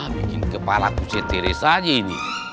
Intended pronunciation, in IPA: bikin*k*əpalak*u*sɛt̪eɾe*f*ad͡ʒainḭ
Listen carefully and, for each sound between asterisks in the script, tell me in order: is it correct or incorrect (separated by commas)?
correct, correct, incorrect